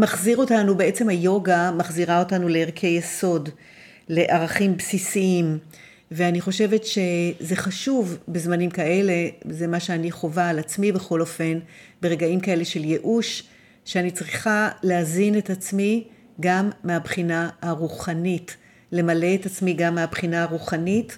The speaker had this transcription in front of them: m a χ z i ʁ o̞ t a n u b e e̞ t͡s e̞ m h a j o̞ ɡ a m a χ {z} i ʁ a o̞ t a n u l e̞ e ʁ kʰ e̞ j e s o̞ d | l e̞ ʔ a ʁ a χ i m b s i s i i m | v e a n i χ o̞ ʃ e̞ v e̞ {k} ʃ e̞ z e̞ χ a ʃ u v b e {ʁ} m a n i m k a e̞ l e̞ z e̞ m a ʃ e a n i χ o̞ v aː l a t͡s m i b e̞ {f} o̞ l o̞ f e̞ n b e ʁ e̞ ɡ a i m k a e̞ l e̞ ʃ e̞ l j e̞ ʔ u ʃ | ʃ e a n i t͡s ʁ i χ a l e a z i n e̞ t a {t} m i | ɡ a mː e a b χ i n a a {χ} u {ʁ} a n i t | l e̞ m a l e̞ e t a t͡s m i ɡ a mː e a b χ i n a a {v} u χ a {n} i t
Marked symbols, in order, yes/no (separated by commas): yes, no, no, no, no, no, no, no, yes